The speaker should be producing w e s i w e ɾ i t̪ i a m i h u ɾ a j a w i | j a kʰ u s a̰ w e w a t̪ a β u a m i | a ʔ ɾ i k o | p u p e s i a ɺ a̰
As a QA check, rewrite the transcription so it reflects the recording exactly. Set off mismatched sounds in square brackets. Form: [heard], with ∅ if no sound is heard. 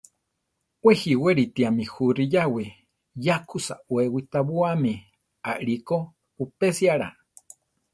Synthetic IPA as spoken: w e [h] i w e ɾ i t̪ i a m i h u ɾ [i] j a w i | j a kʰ u s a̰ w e w [i] t̪ a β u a m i | a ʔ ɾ i k o | p u p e s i a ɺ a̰